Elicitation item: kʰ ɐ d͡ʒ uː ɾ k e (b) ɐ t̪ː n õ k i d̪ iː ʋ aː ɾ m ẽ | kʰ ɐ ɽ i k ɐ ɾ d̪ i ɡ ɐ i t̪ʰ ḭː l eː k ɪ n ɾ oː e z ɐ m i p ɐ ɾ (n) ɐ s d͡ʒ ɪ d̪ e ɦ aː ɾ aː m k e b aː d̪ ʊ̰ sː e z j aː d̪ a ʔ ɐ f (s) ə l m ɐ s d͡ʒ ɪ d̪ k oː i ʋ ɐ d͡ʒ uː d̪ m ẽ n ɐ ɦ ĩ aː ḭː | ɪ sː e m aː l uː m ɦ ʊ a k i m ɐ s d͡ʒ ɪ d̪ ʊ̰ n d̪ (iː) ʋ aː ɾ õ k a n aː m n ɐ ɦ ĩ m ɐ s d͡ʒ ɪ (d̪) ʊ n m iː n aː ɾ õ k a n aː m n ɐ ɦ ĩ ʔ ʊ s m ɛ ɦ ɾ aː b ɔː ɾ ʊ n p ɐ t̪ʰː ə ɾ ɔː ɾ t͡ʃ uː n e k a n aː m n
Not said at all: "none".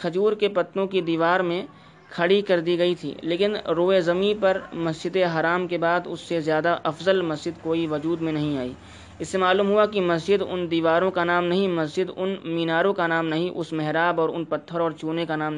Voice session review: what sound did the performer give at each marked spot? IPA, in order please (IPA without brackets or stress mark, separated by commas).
p, m, z, iː, d̪